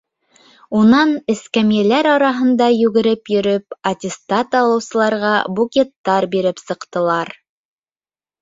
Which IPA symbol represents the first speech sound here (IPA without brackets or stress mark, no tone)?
u